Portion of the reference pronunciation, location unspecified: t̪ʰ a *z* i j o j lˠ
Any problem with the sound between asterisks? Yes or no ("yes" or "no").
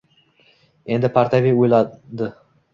yes